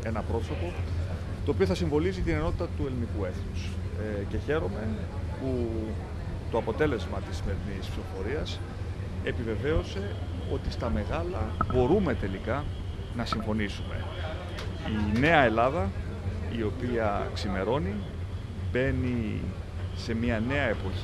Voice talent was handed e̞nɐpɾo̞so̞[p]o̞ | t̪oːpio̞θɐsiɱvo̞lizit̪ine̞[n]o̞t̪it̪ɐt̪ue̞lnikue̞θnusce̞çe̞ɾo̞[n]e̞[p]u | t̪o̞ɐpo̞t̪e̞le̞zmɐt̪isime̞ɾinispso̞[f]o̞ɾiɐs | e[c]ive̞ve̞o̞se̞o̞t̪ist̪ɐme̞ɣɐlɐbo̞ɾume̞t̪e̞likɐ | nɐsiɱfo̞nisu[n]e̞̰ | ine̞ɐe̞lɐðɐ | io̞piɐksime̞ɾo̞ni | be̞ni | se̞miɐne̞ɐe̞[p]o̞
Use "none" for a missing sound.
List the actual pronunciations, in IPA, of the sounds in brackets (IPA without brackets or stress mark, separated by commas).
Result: p, n, m, p, f, p, m, p